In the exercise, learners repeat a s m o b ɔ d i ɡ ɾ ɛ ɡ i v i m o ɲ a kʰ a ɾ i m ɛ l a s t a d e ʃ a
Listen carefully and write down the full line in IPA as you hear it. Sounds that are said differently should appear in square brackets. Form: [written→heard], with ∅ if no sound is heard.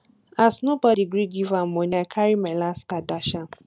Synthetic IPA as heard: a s [m→n] o b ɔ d i ɡ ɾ [ɛ→i] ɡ i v [i→a] m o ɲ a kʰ a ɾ i m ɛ l a s [t→k] a d [e→a] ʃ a

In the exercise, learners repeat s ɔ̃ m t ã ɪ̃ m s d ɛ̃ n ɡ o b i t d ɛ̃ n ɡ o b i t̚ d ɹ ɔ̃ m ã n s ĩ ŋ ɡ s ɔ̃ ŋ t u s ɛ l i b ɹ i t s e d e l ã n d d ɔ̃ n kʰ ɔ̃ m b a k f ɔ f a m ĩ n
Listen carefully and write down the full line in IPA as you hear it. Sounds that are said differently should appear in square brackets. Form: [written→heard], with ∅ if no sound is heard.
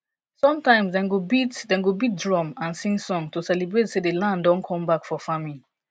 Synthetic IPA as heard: s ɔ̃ m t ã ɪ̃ m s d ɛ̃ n ɡ o b i t d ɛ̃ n ɡ o b i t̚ d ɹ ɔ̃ m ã n s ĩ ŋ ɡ s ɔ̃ ŋ t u s ɛ l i b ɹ [i→e] t s e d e l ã n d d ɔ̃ n kʰ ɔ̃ m b a k f ɔ f a m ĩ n

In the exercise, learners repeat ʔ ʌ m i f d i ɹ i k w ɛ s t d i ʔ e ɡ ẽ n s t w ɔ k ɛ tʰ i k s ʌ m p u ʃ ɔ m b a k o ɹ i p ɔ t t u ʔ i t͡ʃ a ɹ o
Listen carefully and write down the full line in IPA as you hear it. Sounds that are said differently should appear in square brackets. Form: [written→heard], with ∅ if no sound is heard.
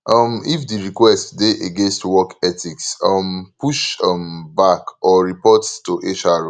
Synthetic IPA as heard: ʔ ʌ m i f d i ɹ i k w ɛ s t d [i→e] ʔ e ɡ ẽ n s t w ɔ k ɛ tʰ i k s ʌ m p u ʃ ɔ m b a k [o→ɔ] ɹ i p ɔ t t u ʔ [i→e] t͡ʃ a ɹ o

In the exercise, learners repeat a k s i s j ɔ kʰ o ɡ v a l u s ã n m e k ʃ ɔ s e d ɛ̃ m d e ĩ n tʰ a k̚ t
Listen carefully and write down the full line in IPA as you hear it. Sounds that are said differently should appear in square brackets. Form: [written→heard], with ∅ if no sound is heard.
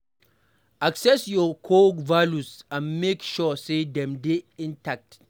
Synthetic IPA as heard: a k s [i→ɛ] s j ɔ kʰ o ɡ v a l u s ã n m e k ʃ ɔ s e d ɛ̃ m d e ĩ n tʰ a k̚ t

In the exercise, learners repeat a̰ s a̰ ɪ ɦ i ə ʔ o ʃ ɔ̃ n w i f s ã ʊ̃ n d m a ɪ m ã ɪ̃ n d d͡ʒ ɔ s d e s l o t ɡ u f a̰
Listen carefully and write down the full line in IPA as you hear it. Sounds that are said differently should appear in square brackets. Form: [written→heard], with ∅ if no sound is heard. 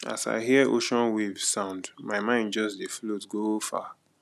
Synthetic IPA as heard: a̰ s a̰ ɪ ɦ i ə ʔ o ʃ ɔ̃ n w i [f→v] s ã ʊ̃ n d m a ɪ m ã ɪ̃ n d d͡ʒ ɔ s d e [s→f] l o t ɡ [u→o] f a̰

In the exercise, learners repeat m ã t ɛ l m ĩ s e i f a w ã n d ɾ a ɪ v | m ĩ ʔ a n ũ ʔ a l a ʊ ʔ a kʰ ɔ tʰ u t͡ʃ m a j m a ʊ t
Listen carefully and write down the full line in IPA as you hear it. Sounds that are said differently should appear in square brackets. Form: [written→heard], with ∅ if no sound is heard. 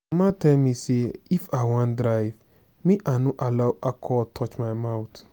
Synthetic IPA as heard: m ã t ɛ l m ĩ s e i f a w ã n d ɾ a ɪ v | m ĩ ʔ a n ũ ʔ a l a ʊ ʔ a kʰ ɔ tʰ [u→ɔ] t͡ʃ m a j m a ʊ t

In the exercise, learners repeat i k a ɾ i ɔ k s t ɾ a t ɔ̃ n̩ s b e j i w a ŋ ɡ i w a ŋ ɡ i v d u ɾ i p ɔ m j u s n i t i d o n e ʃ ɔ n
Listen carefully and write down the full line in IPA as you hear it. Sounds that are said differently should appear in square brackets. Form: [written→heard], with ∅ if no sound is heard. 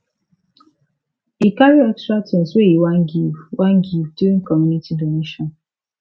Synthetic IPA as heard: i k a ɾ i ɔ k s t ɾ a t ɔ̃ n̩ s [b→w] e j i w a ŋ ɡ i w a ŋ ɡ i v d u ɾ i [p→k] ɔ m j u [s→∅] n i t i d o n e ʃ ɔ n

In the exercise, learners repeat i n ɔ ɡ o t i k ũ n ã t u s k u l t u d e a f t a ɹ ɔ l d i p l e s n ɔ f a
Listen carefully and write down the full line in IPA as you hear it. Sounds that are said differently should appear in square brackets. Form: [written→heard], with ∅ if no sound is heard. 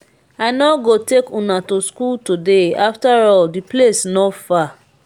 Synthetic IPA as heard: [i→a] n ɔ ɡ o t [i→e] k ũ n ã t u s k u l t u d e a f t a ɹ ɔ l d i p l e s n ɔ f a

